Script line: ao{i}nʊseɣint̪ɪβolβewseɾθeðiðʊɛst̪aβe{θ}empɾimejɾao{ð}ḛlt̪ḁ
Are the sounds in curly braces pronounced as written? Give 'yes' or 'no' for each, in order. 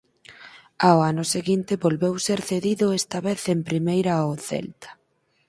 no, yes, no

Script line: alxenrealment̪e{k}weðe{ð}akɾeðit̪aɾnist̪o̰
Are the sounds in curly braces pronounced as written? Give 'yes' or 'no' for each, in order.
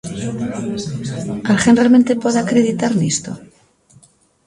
no, no

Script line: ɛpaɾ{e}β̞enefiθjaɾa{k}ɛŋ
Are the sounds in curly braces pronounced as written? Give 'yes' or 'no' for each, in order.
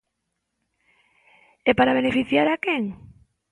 no, yes

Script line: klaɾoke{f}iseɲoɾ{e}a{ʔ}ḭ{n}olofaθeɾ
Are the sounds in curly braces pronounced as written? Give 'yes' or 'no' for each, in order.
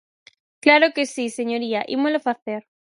no, no, yes, no

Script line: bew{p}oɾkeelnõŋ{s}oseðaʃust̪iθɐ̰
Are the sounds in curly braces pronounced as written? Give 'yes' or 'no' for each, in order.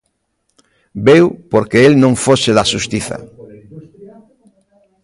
yes, no

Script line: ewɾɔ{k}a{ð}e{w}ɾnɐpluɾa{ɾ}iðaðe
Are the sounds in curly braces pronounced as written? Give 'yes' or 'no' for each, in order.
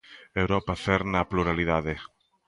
no, no, no, no

